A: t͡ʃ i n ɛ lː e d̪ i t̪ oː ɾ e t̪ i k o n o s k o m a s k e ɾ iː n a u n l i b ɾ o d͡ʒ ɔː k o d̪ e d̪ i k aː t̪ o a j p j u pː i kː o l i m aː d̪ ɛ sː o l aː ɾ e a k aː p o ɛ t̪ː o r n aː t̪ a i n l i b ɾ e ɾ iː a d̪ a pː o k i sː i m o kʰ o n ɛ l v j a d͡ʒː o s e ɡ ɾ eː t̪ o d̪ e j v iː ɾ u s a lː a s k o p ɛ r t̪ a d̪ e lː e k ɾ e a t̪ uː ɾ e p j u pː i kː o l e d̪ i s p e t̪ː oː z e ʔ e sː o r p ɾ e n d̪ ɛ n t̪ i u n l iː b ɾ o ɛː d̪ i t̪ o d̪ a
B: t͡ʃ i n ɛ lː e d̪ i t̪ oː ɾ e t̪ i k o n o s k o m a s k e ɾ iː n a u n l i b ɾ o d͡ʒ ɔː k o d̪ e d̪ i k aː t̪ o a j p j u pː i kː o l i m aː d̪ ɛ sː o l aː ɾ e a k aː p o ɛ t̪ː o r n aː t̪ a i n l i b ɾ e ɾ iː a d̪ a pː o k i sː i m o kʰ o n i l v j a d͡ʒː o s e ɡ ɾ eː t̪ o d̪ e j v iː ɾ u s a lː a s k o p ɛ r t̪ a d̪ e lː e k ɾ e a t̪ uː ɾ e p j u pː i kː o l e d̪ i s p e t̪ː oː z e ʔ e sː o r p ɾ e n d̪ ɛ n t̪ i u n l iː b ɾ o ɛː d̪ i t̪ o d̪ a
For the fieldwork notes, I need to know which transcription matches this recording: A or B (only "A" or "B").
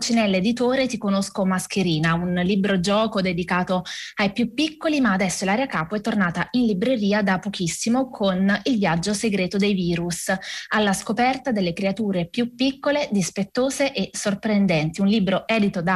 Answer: B